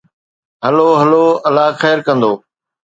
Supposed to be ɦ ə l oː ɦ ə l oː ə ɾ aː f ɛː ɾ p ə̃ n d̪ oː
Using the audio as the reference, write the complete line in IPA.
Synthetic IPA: ɦ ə l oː ɦ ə l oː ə l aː x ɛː ɾ k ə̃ n d̪ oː